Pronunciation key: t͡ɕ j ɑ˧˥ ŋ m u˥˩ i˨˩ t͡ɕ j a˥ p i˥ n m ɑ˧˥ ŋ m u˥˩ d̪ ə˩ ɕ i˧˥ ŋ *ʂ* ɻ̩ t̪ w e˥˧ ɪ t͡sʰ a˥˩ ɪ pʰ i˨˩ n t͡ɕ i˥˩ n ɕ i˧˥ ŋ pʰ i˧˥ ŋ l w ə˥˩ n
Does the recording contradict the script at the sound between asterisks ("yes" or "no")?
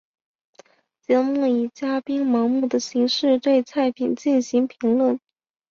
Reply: no